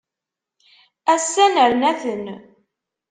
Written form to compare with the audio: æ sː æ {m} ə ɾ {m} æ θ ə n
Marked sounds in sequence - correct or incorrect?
incorrect: n, incorrect: n

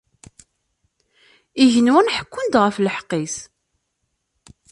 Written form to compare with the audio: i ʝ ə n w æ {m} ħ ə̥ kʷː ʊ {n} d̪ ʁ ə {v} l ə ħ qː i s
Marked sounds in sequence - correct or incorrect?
incorrect: n, correct, incorrect: f

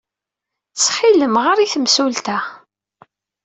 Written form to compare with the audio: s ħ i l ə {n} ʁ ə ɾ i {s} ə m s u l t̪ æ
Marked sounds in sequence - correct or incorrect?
incorrect: m, incorrect: θ

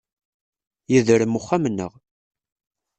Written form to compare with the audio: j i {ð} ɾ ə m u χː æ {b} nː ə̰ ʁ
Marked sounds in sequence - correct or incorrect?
correct, incorrect: m

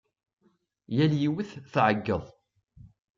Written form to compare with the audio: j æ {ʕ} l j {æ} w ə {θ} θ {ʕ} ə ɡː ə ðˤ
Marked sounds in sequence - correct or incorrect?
incorrect: none, incorrect: i, correct, correct

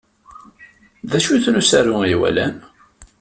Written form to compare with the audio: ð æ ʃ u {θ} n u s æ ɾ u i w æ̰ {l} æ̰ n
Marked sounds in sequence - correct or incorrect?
correct, correct

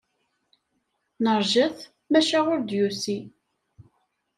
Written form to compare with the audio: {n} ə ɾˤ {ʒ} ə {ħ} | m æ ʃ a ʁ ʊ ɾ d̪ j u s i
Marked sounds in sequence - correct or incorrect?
correct, correct, incorrect: θ

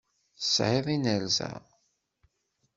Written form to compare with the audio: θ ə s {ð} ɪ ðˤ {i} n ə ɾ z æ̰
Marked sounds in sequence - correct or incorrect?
incorrect: ʕ, correct

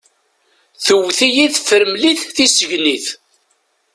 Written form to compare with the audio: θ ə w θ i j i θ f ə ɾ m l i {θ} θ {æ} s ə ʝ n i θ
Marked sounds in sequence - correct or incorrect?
correct, incorrect: i

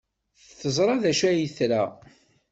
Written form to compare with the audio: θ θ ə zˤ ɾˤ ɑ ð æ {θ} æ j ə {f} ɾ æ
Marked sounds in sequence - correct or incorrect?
incorrect: ʃ, incorrect: θ

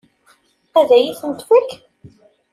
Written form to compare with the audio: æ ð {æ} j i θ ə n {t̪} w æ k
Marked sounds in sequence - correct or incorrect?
correct, correct

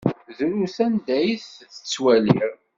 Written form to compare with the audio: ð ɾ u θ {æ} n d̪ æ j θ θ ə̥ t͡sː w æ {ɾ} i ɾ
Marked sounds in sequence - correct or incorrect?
correct, incorrect: l

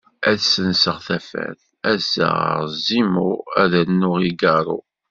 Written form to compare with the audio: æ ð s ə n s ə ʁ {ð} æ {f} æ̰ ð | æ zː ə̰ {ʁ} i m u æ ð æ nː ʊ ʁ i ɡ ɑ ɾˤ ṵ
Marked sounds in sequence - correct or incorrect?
incorrect: θ, correct, incorrect: z

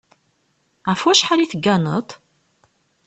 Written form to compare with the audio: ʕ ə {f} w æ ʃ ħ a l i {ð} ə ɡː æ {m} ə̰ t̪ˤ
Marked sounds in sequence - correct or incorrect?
correct, incorrect: θ, incorrect: n

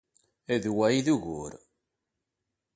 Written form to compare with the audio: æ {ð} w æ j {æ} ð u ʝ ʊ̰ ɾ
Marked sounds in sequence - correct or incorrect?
correct, incorrect: i

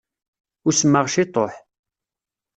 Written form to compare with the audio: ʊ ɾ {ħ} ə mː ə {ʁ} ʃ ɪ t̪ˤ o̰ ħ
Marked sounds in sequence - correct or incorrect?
incorrect: s, correct

